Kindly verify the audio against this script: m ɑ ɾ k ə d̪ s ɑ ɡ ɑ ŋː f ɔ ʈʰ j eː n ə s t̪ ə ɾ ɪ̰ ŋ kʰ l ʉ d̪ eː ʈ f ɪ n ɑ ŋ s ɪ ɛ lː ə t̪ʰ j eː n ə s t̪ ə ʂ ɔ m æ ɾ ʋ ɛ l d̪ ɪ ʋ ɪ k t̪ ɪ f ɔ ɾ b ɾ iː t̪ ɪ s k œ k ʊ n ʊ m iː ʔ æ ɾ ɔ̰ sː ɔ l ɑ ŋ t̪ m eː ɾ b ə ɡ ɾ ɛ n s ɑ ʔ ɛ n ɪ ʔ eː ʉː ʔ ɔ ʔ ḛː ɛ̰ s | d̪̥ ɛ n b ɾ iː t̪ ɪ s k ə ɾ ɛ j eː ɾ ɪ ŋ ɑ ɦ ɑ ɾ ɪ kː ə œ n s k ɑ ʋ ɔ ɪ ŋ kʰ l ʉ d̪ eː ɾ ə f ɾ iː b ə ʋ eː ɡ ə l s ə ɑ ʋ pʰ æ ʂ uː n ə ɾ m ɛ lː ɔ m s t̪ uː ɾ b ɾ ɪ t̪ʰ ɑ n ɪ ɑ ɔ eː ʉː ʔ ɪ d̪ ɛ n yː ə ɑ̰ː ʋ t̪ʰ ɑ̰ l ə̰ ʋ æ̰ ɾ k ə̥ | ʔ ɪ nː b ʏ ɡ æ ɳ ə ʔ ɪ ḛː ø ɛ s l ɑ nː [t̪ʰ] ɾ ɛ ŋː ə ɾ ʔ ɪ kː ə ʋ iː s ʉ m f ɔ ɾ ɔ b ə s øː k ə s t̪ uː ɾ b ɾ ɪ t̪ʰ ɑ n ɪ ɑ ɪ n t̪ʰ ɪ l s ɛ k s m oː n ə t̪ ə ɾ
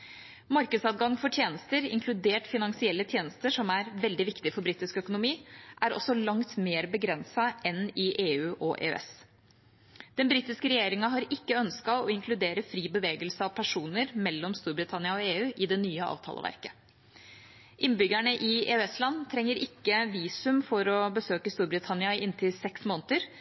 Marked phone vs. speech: correct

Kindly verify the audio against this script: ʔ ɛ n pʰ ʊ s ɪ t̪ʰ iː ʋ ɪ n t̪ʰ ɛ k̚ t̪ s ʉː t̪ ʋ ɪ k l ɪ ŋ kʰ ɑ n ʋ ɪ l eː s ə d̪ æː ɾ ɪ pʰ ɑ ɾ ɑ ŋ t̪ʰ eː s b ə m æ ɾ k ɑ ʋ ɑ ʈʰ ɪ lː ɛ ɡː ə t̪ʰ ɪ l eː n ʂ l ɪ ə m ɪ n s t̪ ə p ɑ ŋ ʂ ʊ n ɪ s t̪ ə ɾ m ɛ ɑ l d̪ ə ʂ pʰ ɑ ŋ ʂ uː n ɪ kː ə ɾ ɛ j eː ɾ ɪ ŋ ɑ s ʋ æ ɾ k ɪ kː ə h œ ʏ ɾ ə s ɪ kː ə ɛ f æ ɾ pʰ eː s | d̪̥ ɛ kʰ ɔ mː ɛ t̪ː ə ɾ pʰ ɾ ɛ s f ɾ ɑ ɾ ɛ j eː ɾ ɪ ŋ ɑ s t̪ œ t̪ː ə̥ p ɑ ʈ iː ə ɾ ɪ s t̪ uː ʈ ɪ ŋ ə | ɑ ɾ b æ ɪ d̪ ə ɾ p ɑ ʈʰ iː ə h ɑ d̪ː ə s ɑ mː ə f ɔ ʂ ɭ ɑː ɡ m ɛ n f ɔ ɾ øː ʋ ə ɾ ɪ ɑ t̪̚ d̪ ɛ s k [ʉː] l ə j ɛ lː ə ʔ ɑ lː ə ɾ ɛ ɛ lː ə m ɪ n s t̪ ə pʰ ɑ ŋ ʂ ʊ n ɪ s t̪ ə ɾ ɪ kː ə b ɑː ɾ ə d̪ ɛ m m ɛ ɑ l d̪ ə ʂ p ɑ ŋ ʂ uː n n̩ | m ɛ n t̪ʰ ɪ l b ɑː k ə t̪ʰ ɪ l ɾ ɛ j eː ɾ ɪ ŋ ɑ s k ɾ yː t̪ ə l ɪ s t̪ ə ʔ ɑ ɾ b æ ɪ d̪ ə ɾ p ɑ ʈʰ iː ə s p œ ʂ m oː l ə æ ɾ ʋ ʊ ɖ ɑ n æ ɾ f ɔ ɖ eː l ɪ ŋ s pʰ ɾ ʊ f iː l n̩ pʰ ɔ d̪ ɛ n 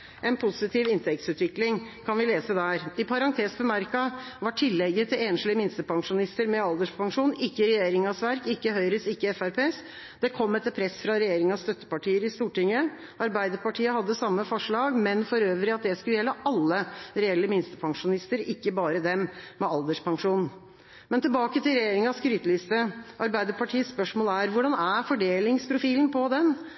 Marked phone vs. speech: incorrect: ʉ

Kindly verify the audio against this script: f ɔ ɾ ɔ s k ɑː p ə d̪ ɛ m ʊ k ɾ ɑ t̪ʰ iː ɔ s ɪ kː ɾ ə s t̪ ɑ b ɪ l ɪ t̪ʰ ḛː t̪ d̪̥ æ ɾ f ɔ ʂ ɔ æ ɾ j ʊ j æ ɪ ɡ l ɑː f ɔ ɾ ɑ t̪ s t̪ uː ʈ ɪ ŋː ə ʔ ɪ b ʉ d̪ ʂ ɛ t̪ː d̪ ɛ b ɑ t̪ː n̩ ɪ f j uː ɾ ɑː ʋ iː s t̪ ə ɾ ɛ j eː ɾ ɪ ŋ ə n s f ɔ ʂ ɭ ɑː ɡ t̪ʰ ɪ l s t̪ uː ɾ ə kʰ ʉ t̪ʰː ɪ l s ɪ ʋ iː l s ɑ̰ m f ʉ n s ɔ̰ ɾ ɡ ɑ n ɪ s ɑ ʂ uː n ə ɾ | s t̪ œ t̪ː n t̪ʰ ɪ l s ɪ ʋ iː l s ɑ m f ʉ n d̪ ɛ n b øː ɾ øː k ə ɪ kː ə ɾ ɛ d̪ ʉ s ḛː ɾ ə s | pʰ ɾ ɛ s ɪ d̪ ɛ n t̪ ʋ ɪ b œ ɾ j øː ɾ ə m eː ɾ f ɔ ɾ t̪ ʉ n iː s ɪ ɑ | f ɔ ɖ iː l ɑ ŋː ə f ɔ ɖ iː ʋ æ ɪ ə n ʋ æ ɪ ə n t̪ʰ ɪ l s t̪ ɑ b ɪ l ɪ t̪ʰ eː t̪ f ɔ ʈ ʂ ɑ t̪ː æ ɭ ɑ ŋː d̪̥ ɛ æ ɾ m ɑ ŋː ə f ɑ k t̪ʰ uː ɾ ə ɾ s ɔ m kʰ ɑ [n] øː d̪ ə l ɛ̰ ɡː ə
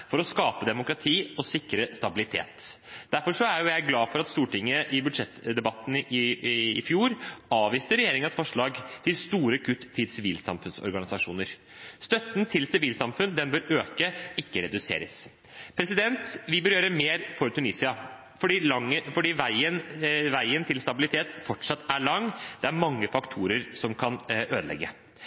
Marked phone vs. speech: correct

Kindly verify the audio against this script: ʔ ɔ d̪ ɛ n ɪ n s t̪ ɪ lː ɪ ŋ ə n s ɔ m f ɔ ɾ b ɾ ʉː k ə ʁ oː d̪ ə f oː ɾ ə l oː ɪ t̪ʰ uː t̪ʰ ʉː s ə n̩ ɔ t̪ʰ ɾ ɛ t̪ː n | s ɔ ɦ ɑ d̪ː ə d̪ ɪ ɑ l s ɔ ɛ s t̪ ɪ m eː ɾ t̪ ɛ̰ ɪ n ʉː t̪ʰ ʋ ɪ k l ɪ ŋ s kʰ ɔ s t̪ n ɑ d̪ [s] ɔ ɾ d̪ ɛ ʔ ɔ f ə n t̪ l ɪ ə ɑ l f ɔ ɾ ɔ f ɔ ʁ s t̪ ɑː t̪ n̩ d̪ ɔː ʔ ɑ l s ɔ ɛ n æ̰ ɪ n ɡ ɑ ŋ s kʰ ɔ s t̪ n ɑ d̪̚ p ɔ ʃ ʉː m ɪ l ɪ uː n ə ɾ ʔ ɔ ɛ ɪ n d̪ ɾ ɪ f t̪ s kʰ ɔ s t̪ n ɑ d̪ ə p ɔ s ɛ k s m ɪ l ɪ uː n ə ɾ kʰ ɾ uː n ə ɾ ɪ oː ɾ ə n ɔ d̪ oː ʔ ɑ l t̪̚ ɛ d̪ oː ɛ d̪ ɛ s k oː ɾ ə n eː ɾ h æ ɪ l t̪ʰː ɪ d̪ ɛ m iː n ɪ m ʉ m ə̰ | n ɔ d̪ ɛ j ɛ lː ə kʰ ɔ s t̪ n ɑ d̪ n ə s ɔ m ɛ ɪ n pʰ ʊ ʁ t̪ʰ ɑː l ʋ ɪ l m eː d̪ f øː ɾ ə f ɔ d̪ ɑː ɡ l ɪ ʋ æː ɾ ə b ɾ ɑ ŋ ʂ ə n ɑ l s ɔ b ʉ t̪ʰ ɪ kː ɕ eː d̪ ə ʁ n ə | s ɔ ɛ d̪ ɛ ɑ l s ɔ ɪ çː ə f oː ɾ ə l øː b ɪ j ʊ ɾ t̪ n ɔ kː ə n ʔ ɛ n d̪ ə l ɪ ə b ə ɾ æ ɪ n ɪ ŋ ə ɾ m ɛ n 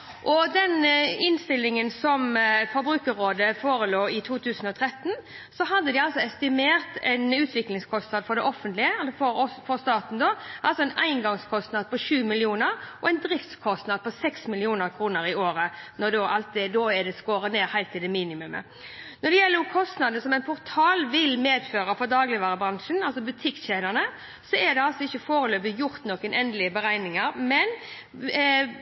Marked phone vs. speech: incorrect: f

